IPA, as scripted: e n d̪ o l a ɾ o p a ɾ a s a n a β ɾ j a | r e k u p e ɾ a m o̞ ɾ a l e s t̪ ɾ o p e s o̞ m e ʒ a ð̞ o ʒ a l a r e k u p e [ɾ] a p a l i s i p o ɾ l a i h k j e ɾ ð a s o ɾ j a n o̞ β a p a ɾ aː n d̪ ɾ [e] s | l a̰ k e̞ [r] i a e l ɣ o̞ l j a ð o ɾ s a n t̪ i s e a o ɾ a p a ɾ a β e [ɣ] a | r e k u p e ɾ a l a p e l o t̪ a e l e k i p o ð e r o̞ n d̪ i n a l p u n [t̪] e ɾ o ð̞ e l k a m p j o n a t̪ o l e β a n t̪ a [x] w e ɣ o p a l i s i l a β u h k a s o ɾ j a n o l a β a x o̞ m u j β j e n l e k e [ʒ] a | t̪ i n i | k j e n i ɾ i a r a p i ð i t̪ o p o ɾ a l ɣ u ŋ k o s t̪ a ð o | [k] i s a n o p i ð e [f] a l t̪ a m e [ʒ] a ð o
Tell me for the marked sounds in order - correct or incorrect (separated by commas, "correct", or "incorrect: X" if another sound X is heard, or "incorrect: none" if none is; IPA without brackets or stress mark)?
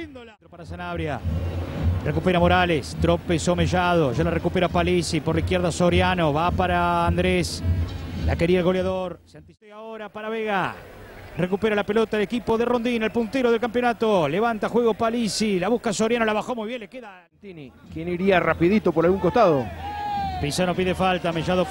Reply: correct, correct, incorrect: ɾ, correct, correct, correct, incorrect: ð, incorrect: p, correct, correct